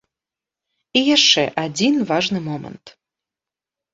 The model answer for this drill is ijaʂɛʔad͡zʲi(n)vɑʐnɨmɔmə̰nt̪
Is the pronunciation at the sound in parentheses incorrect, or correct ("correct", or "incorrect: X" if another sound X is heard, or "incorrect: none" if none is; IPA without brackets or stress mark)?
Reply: correct